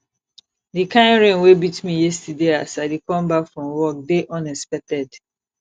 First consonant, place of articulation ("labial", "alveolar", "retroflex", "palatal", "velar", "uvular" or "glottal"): alveolar